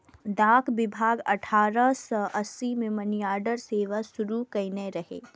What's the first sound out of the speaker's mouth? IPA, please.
d̪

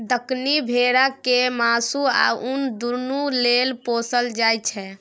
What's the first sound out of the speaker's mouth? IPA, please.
d̪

